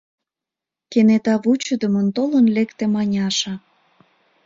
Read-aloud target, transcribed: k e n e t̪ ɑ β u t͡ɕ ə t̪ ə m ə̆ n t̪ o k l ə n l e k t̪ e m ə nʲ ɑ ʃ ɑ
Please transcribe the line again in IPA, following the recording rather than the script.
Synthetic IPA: k e n e t̪ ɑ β u t͡ɕ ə d̪ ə m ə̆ n t̪ o l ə n l e k t̪ e m ɑ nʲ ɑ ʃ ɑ